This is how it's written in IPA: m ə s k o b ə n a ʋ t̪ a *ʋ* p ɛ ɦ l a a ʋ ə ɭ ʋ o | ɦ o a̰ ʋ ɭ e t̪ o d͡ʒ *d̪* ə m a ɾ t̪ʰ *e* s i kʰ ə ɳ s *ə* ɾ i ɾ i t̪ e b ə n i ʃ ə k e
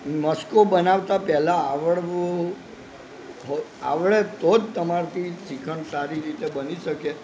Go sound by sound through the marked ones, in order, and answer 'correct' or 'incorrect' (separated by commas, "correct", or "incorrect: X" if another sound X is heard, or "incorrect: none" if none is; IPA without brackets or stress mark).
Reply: incorrect: none, incorrect: t̪, incorrect: i, incorrect: a